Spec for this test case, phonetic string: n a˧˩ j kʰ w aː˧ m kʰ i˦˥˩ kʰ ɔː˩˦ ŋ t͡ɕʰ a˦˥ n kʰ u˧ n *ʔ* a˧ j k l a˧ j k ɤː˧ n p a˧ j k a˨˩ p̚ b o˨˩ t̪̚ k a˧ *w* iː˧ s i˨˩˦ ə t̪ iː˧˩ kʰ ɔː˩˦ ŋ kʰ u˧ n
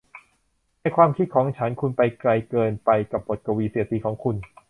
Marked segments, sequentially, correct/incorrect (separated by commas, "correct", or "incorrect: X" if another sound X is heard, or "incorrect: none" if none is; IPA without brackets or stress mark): incorrect: p, correct